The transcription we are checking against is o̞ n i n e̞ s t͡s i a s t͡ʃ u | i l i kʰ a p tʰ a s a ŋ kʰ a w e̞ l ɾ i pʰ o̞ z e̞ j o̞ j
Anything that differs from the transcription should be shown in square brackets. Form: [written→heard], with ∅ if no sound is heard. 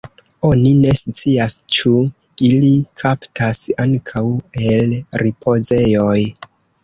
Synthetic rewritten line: o̞ n i n e̞ s t͡s i a s t͡ʃ u | i l i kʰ a p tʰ a s a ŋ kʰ a w e̞ l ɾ i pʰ o̞ z e̞ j o̞ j